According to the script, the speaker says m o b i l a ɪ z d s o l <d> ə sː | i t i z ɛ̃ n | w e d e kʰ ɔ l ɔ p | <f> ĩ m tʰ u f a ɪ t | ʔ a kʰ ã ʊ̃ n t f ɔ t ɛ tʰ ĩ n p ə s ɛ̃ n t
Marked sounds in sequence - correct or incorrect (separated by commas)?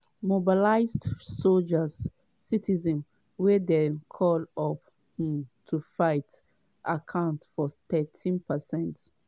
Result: incorrect, incorrect